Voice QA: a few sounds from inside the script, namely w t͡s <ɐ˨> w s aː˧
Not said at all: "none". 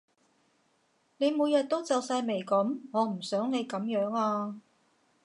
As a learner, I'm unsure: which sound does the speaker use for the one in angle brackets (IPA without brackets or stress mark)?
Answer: ɐ˨